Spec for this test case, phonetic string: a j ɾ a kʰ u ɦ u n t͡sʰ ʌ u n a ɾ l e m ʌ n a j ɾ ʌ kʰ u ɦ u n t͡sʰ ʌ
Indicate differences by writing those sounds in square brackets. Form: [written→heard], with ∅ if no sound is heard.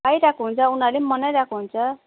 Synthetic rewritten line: a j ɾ a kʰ u ɦ u n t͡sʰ ʌ u n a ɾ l e m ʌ n a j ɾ [ʌ→a] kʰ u ɦ u n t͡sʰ ʌ